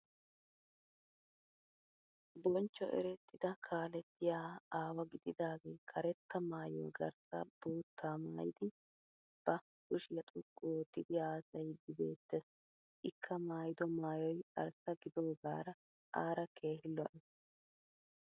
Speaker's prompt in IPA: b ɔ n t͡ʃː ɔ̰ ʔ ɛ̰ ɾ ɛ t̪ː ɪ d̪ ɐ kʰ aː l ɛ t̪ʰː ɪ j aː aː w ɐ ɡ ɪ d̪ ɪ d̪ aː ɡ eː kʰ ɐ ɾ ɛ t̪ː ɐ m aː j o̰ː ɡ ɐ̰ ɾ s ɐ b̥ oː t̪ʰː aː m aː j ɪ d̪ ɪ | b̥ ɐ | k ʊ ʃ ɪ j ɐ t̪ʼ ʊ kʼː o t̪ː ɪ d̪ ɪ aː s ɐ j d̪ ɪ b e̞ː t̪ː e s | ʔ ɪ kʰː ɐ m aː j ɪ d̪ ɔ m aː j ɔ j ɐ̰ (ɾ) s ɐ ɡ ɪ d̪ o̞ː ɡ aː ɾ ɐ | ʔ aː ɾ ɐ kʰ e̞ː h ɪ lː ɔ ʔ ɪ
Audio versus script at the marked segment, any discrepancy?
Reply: no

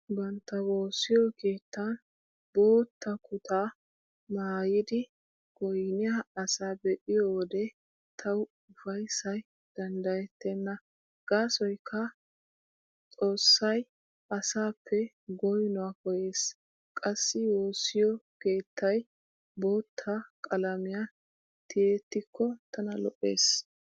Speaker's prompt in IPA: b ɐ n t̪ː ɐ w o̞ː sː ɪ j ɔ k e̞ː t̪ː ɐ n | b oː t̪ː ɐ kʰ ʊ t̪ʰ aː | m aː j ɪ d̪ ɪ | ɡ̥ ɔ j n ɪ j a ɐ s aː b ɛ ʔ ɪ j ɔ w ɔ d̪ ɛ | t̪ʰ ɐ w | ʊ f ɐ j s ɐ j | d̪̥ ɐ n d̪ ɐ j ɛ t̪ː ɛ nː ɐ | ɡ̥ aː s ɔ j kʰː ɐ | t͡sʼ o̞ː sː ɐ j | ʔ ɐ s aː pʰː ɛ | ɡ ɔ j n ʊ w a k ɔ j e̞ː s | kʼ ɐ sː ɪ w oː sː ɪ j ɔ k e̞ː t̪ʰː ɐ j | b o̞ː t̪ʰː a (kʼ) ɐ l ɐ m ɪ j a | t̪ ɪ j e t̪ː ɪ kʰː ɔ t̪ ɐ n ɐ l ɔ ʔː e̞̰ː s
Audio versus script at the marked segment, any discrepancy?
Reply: no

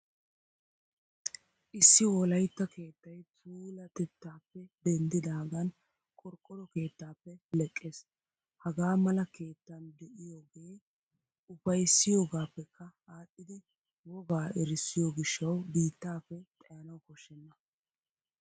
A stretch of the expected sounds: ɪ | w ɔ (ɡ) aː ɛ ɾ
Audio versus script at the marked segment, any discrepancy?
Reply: no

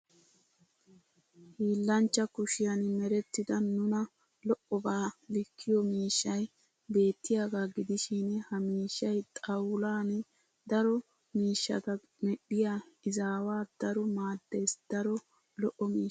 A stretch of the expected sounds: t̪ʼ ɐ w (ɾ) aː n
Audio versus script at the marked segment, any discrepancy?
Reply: yes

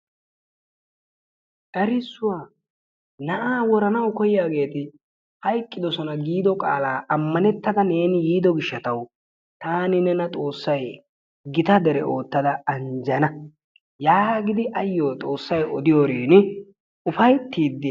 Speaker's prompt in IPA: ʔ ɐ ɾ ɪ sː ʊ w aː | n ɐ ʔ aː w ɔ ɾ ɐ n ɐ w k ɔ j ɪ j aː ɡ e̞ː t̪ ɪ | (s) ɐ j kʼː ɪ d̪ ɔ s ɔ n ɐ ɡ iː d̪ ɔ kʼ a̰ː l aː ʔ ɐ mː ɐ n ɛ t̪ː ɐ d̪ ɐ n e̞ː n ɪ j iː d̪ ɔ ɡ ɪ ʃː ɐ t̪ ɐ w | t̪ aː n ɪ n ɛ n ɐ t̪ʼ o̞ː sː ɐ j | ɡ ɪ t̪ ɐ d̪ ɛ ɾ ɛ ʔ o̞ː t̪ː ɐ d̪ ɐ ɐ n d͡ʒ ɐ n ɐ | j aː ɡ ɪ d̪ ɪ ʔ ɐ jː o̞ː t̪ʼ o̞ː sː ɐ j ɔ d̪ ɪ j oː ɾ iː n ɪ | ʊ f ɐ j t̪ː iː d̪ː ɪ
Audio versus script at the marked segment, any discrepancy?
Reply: yes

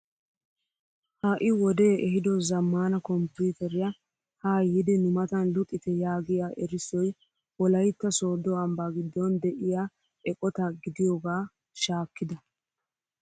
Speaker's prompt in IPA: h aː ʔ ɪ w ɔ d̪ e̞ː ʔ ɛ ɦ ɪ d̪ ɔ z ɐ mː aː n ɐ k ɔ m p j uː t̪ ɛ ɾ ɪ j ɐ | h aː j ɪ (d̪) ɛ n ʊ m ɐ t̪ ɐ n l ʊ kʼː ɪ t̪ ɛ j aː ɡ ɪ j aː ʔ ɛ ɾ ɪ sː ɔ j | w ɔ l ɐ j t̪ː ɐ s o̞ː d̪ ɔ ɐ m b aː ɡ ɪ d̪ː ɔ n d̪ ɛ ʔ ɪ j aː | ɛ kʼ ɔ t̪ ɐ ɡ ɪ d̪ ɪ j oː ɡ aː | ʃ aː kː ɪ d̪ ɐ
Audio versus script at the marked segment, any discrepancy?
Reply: no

